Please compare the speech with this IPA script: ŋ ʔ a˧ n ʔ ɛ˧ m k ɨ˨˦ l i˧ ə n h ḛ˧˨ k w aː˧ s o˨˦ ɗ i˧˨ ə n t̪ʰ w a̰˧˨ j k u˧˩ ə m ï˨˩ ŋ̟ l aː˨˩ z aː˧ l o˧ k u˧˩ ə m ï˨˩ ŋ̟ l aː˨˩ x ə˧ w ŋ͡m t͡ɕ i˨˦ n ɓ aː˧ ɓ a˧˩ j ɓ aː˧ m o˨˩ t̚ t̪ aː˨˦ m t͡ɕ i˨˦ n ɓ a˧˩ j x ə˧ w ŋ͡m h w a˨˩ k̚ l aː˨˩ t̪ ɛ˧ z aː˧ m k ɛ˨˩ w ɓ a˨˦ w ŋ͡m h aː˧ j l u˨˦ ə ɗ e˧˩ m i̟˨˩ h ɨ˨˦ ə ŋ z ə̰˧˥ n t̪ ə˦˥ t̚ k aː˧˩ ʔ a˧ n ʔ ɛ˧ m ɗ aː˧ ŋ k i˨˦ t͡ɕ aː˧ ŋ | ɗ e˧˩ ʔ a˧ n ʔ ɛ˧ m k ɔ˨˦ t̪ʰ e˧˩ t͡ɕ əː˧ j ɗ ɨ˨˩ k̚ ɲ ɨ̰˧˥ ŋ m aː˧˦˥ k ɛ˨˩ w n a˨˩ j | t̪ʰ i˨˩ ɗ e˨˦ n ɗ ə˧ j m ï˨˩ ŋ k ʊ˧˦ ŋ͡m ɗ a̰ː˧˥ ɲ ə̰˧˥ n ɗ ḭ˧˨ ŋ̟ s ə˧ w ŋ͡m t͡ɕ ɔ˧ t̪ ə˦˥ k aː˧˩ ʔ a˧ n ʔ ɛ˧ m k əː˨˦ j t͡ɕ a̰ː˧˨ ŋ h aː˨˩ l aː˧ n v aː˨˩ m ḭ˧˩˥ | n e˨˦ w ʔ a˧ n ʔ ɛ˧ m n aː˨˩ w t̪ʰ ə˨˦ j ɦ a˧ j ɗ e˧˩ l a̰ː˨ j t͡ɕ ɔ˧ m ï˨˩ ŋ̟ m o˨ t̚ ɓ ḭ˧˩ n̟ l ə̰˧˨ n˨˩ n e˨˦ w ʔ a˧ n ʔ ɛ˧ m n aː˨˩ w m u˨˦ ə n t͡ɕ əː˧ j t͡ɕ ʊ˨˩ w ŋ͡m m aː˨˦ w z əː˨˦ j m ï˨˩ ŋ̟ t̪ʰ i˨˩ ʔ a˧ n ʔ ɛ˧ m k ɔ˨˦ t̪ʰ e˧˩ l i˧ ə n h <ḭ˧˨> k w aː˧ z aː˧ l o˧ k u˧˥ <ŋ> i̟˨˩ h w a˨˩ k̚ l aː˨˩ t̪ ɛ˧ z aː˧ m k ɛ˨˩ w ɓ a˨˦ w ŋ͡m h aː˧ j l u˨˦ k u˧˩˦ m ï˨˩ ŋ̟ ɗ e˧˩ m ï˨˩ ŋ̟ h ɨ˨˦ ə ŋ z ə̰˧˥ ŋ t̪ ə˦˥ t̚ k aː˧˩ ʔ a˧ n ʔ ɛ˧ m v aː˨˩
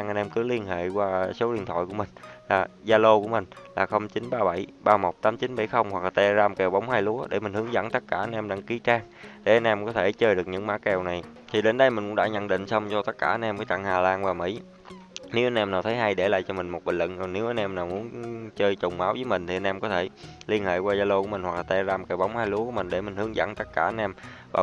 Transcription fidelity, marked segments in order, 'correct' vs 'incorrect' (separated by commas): incorrect, incorrect